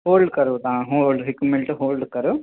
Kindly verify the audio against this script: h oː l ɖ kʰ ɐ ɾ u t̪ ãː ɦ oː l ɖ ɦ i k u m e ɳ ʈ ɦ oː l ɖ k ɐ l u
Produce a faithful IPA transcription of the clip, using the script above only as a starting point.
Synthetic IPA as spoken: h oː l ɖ k ɐ ɾ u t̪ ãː ɦ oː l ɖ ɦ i k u m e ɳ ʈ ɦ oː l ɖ k ɐ ɾ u